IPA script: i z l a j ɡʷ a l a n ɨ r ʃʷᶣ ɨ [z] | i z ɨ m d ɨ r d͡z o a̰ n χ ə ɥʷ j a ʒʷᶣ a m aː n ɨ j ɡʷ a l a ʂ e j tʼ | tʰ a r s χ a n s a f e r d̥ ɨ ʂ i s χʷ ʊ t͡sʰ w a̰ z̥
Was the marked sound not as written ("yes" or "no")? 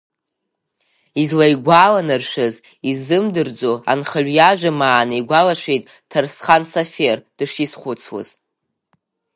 no